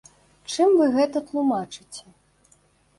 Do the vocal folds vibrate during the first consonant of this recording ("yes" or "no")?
no